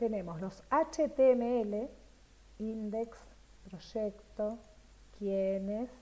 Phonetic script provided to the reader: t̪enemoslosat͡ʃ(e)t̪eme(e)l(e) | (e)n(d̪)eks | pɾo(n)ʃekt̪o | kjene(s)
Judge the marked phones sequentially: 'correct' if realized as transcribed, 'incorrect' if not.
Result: correct, correct, correct, incorrect: i, correct, incorrect: none, correct

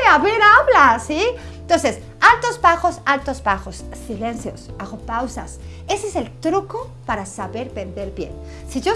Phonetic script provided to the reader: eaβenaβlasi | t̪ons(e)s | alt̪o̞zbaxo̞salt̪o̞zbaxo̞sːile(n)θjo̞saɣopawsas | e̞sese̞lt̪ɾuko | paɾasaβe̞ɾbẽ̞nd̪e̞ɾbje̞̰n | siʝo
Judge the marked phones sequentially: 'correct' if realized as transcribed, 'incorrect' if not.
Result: correct, correct

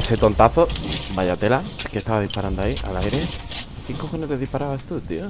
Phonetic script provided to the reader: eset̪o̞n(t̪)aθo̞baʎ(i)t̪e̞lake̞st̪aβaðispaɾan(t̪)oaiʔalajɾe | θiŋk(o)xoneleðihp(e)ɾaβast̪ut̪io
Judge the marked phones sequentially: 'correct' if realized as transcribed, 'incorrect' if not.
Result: correct, incorrect: a, incorrect: d̪, correct, incorrect: a

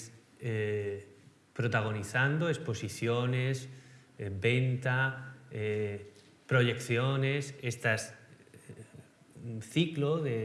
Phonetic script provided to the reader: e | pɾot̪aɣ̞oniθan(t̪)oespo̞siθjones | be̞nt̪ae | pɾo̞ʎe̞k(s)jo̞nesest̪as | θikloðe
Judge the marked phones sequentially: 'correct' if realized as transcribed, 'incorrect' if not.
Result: incorrect: d̪, incorrect: θ

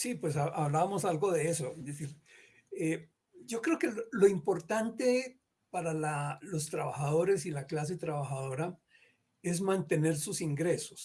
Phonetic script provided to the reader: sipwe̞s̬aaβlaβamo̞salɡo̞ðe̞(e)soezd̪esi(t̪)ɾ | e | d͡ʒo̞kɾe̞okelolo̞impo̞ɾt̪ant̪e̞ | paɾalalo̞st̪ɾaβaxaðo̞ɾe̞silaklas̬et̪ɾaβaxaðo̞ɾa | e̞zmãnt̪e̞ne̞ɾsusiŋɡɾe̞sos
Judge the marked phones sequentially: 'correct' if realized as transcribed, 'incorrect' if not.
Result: correct, incorrect: none

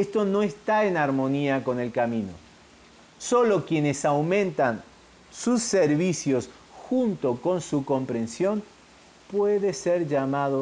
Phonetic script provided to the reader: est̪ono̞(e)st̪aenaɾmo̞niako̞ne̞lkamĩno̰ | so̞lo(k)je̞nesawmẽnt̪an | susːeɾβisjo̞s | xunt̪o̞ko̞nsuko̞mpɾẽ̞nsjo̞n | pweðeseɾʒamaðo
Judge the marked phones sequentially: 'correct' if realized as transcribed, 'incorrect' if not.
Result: correct, correct

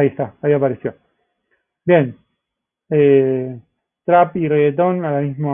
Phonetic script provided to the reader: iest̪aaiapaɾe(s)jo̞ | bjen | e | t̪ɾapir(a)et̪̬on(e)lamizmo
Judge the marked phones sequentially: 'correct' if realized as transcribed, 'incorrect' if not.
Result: correct, incorrect: e, incorrect: a

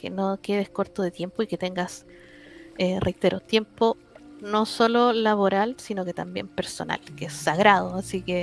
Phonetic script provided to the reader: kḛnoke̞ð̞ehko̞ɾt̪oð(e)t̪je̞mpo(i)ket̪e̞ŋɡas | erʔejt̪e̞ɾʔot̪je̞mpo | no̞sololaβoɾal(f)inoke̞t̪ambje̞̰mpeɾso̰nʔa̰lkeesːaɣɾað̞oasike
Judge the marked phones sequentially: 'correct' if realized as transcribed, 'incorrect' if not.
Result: correct, correct, incorrect: s

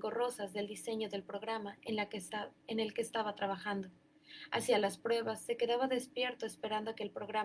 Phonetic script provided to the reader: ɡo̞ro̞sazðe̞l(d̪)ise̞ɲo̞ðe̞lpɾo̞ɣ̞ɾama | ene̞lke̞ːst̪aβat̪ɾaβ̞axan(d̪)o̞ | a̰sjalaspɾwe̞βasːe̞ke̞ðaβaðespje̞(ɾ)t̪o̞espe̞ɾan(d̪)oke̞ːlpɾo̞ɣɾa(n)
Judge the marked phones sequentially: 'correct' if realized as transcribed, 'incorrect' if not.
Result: correct, correct, correct, correct, incorrect: none

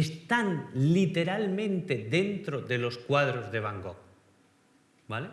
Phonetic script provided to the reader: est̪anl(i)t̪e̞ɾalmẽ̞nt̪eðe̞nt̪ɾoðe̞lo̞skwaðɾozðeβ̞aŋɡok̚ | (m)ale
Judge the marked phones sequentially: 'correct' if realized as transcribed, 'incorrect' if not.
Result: correct, incorrect: b

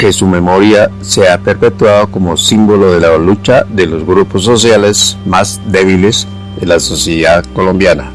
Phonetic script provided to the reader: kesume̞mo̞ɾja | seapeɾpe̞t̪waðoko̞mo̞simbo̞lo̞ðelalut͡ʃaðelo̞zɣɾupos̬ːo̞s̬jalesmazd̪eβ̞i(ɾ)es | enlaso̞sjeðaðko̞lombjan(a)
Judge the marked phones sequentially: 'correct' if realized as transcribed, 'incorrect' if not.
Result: incorrect: l, correct

